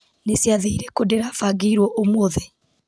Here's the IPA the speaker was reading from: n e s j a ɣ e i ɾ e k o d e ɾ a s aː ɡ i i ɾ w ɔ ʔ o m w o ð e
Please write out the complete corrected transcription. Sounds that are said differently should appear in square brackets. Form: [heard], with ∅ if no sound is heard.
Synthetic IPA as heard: n e s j a [ð] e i ɾ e k o d e ɾ a [f] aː ɡ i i ɾ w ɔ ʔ o m w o ð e